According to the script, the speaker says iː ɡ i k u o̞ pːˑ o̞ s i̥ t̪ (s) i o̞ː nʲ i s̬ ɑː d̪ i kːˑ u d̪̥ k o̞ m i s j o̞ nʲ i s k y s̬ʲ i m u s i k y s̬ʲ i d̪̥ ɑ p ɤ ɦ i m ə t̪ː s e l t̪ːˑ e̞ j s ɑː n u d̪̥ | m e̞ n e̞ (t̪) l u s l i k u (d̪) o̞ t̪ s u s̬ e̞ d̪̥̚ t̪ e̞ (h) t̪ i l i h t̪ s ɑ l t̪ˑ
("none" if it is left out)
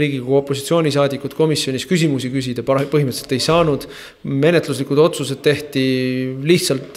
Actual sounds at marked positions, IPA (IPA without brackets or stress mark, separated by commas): s, t̪, d̪, h